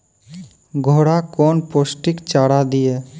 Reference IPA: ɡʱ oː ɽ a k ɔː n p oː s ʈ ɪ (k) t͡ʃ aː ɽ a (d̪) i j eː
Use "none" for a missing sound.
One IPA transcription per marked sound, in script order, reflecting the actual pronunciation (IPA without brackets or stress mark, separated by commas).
k, d̪